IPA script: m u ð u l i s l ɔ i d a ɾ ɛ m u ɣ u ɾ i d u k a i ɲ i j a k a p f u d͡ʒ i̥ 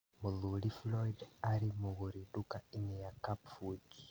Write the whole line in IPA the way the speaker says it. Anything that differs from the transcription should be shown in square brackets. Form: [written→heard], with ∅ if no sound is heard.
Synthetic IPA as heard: m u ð u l i [s→f] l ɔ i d a ɾ [ɛ→i] m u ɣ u ɾ i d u k a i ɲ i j a k a p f u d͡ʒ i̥